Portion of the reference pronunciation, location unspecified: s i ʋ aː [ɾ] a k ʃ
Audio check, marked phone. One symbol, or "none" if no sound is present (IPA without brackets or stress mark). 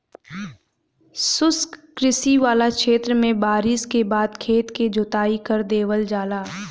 l